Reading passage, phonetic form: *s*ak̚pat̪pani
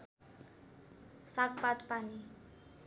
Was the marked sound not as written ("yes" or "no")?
no